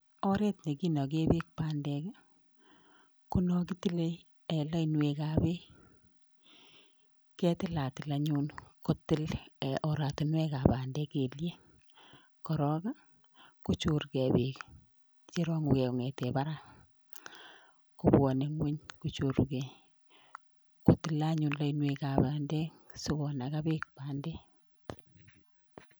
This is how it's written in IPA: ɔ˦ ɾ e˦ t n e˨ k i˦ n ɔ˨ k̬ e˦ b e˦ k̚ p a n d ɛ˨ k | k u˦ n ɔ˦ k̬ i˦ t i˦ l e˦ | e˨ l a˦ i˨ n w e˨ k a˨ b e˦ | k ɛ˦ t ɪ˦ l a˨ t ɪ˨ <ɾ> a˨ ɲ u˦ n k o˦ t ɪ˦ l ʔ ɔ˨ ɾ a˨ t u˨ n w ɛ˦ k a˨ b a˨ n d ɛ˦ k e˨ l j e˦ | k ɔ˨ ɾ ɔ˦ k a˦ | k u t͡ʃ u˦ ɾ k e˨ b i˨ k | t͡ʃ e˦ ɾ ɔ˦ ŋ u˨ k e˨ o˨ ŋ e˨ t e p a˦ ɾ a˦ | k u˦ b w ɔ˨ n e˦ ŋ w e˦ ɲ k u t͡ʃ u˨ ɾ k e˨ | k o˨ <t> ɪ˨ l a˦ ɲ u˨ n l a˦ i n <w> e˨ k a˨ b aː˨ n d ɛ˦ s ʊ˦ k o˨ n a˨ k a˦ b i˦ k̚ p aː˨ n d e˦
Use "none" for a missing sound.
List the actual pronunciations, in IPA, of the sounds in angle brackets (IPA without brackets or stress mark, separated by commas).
l, t, w